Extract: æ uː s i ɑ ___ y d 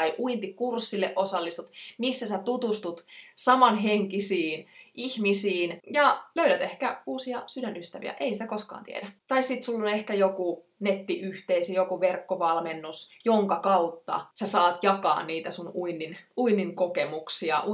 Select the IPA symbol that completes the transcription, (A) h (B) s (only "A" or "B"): B